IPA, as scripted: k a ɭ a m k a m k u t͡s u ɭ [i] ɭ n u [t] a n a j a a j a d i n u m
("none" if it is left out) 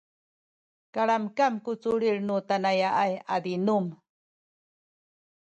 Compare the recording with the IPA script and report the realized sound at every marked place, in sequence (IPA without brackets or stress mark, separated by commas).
i, t